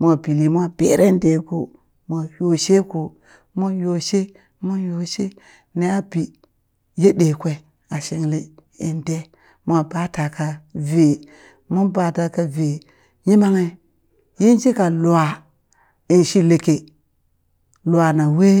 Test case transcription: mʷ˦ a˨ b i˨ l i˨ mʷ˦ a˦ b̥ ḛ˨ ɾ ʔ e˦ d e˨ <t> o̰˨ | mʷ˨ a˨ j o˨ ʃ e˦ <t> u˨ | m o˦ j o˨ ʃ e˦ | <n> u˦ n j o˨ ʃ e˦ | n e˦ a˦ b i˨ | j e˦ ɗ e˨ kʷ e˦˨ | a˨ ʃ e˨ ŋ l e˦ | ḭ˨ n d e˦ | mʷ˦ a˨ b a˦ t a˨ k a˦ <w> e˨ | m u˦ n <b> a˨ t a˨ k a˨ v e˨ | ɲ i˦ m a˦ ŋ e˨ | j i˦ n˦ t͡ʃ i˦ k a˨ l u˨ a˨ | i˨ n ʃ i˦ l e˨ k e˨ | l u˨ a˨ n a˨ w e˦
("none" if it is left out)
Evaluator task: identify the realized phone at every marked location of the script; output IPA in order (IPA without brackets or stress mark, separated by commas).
k, k, m, v, b